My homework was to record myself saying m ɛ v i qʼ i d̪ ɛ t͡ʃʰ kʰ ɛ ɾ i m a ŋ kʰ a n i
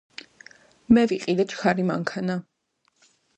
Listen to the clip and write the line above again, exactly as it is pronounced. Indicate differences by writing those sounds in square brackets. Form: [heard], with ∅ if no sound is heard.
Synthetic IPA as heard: m ɛ v i qʼ i d̪ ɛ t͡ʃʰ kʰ [a] ɾ i m a ŋ kʰ a n [a]